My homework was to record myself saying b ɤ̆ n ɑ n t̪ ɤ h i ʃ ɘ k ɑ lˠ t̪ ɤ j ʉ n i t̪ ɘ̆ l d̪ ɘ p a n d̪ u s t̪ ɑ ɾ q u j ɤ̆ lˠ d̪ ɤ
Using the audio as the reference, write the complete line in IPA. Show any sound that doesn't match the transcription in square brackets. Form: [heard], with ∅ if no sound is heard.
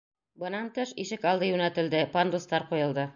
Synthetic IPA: b ɤ̆ n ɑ n t̪ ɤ [ʃ] i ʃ ɘ k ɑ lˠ [d̪] ɤ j ʉ n [æ] t̪ ɘ̆ l d̪ ɘ p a n d̪ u s t̪ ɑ ɾ q u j ɤ̆ lˠ d̪ ɤ